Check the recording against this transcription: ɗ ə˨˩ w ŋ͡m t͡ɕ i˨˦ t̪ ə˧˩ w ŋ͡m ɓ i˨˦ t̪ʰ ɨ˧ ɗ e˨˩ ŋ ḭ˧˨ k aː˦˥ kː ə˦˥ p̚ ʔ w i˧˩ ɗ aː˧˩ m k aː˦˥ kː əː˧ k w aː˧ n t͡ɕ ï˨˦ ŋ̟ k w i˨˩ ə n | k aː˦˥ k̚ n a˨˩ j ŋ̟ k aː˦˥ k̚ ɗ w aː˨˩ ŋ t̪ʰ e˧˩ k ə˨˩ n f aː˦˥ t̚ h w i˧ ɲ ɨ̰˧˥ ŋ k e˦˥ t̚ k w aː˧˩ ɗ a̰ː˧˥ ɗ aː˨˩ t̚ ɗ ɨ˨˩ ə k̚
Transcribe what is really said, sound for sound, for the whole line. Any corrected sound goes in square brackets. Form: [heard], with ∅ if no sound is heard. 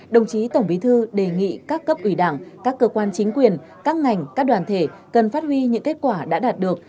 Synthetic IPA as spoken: ɗ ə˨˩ w ŋ͡m t͡ɕ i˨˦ t̪ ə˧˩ w ŋ͡m ɓ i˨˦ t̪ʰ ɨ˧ ɗ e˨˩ ŋ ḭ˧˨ k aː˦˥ kː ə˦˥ p̚ ʔ w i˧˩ ɗ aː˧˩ [ŋ] k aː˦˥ kː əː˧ k w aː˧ n t͡ɕ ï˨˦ ŋ̟ k w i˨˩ ə n | k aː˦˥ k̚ [ŋ] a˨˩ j ŋ̟ k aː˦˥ k̚ ɗ w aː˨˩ [n] t̪ʰ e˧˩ k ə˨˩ n f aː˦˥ t̚ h w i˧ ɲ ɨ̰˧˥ ŋ k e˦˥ t̚ k w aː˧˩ ɗ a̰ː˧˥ ɗ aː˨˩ t̚ ɗ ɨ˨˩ ə k̚